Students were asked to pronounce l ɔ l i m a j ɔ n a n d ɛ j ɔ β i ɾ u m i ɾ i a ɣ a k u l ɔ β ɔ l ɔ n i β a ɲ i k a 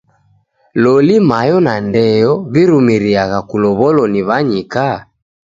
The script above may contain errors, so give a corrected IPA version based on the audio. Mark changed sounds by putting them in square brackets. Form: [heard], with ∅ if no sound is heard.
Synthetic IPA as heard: l ɔ l i m a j ɔ n a n d ɛ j ɔ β i ɾ u m i ɾ i a ɣ a k u l ɔ β ɔ l ɔ n i β a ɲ i k a